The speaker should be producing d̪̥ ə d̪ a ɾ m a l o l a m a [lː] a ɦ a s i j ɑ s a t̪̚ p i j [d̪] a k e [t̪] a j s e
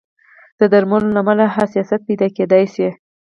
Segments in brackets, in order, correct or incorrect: incorrect, correct, incorrect

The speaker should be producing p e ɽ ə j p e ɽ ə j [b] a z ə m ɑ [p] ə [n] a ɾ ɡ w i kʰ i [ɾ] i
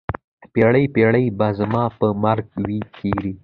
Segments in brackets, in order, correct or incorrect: correct, correct, incorrect, correct

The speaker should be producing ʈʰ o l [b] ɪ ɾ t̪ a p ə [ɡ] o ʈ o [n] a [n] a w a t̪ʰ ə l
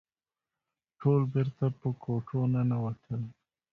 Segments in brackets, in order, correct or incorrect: correct, incorrect, correct, correct

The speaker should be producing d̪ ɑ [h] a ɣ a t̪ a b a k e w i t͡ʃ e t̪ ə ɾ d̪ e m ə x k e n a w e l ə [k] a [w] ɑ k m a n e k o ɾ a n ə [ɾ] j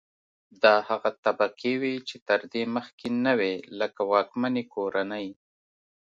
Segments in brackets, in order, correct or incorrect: correct, correct, correct, incorrect

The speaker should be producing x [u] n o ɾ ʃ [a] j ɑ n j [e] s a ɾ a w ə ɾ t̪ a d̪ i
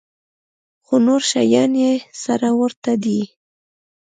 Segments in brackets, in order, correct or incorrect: incorrect, correct, correct

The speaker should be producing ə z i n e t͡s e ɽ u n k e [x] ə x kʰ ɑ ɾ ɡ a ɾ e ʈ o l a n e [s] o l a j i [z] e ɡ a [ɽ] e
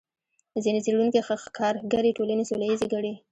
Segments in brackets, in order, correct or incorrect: correct, correct, correct, correct

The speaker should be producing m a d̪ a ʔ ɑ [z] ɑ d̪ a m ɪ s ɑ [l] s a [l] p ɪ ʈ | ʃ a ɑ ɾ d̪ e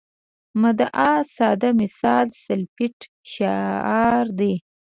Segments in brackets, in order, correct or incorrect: incorrect, correct, correct

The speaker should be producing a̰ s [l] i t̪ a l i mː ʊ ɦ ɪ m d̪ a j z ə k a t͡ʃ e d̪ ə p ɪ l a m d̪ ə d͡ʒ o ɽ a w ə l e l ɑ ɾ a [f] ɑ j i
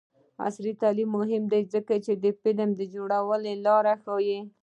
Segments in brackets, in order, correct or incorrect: incorrect, incorrect

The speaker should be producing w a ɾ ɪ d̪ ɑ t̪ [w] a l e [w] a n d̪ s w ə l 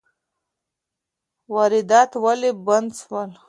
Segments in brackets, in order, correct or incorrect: correct, incorrect

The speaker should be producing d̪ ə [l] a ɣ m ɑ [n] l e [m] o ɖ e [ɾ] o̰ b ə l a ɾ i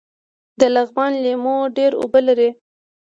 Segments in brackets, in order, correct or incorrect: correct, correct, correct, correct

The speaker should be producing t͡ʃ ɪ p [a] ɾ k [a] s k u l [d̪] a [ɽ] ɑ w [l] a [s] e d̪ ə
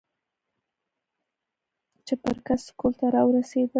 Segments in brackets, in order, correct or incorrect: incorrect, correct, incorrect, incorrect, incorrect, correct

